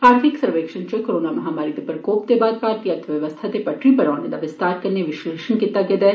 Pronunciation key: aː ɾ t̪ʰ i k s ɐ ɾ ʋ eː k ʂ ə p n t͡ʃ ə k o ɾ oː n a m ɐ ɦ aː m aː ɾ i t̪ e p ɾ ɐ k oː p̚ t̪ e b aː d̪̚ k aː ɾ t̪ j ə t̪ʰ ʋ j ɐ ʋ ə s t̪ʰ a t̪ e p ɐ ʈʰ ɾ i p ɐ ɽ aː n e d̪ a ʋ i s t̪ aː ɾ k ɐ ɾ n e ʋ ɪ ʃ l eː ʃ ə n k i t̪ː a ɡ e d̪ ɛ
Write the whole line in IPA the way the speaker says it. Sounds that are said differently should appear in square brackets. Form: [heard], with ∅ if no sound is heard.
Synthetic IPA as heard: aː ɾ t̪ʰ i k s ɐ ɾ ʋ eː k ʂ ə [∅] n t͡ʃ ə k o ɾ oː n a m ɐ ɦ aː m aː ɾ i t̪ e p ɾ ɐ k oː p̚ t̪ e b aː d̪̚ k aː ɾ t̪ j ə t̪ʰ ʋ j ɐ ʋ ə s t̪ʰ a t̪ e p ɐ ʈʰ ɾ i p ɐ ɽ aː n e d̪ a ʋ [ɪ] s t̪ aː ɾ k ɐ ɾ n e ʋ ɪ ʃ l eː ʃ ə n k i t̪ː a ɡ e d̪ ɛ